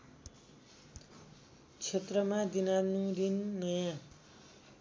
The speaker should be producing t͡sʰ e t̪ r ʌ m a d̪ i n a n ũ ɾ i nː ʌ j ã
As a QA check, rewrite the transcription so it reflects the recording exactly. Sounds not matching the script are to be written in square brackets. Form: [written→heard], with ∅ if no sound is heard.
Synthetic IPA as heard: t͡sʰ e t̪ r ʌ m a d̪ i n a n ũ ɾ i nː ʌ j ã